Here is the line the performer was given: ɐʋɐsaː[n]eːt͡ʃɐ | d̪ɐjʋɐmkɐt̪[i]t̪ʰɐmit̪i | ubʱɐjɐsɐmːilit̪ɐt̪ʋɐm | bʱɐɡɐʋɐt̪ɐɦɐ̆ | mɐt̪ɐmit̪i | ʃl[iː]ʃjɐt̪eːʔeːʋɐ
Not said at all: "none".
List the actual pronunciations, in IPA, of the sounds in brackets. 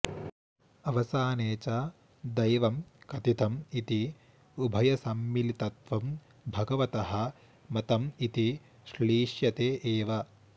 n, i, iː

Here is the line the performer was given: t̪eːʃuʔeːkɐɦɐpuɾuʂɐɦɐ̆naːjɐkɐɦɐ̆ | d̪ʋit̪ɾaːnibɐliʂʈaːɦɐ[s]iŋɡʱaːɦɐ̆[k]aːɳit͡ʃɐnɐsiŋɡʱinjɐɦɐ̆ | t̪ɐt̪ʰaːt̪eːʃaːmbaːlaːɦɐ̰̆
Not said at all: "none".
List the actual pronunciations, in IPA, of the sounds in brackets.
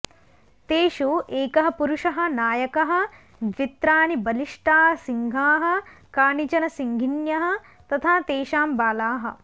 s, k

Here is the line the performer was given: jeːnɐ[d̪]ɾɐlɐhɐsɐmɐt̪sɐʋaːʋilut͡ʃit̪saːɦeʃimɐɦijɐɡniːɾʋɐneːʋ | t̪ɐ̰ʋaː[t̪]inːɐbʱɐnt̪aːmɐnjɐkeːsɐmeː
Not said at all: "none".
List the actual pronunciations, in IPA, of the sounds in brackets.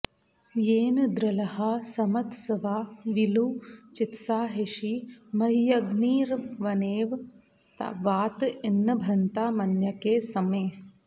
d̪, t̪

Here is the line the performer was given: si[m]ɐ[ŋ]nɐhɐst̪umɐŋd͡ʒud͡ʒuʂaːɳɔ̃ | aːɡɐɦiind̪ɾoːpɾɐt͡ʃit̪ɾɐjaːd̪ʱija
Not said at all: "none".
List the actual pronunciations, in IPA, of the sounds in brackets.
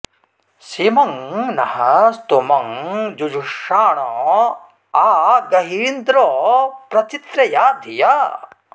m, ŋ

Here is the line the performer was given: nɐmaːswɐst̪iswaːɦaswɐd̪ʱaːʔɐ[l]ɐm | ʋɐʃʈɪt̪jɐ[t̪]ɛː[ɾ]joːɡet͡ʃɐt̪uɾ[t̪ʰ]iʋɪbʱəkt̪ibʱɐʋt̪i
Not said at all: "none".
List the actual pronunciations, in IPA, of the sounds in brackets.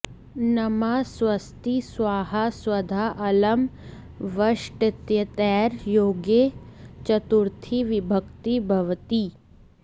l, t̪, ɾ, t̪ʰ

